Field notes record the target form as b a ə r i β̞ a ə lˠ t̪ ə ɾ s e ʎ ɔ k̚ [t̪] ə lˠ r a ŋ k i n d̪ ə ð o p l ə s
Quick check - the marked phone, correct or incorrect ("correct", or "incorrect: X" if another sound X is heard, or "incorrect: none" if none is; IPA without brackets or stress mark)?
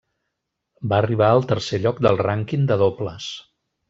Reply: incorrect: d̪